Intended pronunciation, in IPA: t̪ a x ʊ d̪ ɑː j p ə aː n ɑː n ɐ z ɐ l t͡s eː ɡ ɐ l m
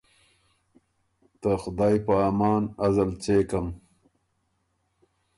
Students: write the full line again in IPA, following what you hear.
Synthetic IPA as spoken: t̪ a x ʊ d̪ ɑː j p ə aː m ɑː n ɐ z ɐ l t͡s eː k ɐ m